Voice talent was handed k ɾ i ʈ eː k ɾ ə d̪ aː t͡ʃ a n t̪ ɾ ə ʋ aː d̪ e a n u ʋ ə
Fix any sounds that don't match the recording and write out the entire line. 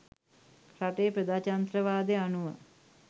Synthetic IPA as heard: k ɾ a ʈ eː p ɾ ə d̪ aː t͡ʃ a n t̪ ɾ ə ʋ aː d̪ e a n u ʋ ə